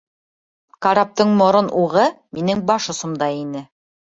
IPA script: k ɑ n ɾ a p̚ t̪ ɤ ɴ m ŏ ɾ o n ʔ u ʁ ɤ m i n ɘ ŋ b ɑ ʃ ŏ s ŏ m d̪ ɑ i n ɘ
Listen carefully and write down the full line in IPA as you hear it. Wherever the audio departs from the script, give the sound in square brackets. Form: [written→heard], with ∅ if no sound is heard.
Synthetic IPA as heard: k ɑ [n→∅] ɾ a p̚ t̪ ɤ ɴ m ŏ ɾ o n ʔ u ʁ ɤ m i n ɘ ŋ b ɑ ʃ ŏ s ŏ m d̪ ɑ i n ɘ